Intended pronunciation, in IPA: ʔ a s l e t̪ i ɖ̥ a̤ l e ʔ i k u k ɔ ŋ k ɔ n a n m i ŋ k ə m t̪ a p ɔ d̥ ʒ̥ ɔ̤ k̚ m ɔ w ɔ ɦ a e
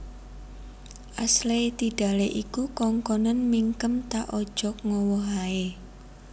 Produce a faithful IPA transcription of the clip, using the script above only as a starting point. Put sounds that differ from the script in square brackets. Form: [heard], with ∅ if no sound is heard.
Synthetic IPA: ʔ a s l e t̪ i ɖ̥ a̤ l e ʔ i k u k ɔ ŋ k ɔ n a n m i ŋ k ə m t̪ a [ʔ] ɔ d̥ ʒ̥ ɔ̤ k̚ [ŋ] ɔ w ɔ ɦ a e